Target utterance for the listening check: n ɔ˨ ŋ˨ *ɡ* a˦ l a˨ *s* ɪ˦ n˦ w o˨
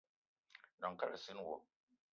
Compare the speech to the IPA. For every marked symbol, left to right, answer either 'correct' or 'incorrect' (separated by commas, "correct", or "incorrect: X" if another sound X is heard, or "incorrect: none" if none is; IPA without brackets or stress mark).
incorrect: k, correct